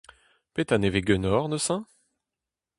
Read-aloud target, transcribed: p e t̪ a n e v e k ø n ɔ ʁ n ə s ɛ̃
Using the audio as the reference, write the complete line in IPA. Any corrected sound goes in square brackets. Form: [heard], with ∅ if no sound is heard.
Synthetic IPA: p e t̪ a n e v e [ɡ] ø n ɔ ʁ n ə s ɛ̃